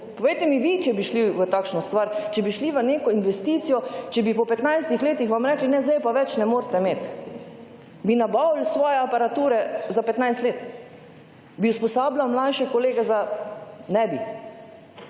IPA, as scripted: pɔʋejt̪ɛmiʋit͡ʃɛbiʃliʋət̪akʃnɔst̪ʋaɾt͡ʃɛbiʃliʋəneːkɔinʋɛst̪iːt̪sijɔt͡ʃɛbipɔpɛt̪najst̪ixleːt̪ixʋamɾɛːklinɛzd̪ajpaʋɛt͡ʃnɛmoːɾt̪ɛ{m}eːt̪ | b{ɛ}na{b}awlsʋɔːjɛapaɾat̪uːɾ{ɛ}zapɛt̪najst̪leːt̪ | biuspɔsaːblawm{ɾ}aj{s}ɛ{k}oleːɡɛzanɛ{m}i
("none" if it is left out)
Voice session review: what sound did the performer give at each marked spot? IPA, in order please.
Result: m, i, b, ɛ, l, ʃ, k, b

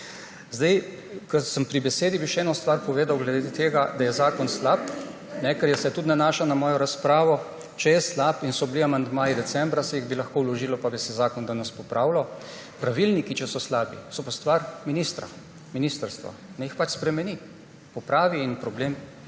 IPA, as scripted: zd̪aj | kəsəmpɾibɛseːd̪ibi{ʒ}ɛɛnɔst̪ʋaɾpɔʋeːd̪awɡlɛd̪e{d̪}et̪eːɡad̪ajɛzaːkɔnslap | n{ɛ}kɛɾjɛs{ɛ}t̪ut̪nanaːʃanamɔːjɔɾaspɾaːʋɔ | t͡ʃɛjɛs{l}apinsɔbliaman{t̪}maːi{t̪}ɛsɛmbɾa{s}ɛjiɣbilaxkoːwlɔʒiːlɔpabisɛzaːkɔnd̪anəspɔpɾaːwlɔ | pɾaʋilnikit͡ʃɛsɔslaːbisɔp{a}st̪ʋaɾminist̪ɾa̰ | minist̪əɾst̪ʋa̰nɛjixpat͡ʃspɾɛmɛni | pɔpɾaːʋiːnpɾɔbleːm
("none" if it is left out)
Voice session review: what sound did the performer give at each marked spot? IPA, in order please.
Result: ʃ, d̪, ɛ, ɛ, l, d̪, d̪, s, a

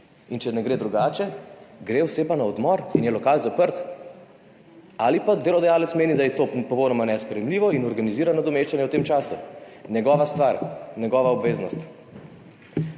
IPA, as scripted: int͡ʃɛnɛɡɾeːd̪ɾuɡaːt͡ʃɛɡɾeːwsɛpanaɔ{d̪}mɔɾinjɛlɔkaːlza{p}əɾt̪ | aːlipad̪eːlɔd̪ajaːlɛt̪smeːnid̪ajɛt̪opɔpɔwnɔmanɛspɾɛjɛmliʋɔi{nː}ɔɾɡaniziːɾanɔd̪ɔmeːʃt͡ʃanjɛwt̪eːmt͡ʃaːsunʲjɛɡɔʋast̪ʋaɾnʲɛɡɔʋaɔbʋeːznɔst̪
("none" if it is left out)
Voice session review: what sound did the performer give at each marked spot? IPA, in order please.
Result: d̪, p, n

